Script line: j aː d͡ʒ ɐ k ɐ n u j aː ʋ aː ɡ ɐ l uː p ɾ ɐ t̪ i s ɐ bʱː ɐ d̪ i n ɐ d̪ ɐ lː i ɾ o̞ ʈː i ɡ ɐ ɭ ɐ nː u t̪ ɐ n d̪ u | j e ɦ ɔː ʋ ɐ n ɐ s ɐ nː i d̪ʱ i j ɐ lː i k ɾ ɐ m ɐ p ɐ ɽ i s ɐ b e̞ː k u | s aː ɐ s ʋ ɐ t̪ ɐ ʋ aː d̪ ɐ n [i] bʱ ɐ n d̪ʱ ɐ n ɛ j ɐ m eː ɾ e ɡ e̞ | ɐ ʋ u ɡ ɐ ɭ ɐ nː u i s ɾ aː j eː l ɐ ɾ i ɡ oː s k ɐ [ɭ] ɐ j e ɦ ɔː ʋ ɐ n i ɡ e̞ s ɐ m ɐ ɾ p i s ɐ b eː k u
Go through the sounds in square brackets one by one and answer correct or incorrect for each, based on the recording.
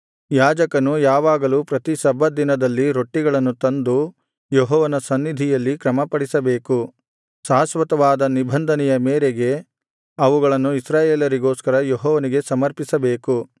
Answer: correct, incorrect: ɾ

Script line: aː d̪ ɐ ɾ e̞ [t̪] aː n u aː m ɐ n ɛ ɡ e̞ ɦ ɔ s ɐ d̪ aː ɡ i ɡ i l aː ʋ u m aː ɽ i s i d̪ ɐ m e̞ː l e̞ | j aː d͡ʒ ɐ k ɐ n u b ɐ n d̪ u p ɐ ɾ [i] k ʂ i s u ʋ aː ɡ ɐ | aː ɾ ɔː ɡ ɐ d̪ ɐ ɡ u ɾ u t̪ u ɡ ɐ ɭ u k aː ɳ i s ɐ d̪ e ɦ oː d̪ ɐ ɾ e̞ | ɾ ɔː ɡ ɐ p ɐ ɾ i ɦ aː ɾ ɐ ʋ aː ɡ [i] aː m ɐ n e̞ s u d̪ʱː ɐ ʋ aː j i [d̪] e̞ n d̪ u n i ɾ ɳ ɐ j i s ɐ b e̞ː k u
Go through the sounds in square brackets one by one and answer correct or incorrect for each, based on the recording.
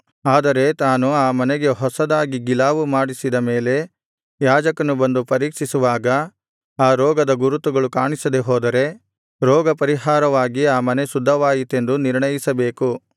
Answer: correct, incorrect: iː, correct, incorrect: t̪

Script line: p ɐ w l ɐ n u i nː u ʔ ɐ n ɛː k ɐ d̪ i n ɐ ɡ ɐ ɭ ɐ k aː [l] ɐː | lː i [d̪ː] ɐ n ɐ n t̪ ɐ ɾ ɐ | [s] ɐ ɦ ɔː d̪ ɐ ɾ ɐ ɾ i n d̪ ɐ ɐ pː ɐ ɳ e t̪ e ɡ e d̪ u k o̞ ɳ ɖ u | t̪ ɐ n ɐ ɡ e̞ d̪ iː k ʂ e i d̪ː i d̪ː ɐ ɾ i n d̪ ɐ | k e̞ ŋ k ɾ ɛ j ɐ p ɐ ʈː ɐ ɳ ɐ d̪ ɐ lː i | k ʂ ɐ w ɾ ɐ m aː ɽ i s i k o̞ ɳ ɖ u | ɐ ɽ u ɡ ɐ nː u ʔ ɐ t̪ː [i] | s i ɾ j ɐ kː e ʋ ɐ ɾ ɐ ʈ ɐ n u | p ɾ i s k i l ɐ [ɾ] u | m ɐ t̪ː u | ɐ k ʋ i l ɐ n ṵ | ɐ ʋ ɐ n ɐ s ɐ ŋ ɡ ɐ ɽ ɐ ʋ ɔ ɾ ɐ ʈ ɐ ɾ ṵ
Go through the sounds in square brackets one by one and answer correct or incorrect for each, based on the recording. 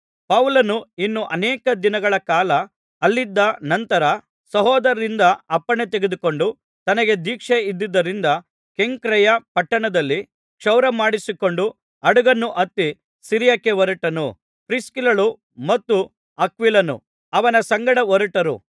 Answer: correct, correct, correct, correct, incorrect: ɭ

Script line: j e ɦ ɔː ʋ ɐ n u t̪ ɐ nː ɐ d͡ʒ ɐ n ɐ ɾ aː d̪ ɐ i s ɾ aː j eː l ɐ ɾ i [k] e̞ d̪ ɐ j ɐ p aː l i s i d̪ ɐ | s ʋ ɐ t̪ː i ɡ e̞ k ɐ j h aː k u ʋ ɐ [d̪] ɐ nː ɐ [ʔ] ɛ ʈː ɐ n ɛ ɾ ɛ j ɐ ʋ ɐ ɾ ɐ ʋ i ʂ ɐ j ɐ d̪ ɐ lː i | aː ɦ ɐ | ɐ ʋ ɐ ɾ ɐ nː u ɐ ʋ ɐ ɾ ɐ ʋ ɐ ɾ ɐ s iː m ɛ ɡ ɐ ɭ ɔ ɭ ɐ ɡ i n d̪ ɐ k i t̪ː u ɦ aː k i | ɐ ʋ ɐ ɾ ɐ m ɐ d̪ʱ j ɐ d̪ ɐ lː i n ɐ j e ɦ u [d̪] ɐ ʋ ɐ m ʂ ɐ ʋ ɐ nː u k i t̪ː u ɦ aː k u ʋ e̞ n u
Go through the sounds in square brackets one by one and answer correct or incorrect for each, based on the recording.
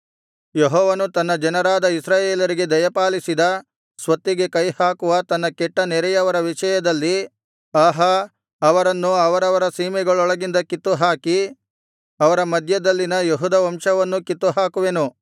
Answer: incorrect: ɡ, incorrect: t̪, incorrect: k, correct

